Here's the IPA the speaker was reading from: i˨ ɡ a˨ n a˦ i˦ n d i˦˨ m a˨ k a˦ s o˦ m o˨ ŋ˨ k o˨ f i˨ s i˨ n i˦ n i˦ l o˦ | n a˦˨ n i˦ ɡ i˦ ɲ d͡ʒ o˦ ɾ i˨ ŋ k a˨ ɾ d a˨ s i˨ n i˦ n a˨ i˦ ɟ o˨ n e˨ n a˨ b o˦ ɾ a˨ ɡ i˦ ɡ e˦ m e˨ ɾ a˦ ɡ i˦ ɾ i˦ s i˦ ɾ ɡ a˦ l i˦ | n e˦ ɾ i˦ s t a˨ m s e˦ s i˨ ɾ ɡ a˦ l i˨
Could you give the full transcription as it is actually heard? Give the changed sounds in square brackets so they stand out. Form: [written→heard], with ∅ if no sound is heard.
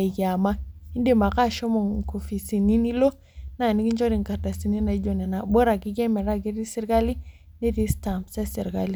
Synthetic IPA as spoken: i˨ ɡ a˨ [n→m] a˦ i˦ n d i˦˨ m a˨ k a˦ [s→ʃ] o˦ m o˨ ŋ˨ k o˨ f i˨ s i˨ n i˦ n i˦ l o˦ | n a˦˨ n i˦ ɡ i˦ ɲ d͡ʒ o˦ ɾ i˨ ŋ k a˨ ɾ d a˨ s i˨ n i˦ n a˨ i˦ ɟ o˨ n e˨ n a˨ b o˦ ɾ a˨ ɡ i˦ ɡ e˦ m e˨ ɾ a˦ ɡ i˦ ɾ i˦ s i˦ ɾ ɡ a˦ l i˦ | n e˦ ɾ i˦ s t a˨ m s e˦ s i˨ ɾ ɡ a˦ l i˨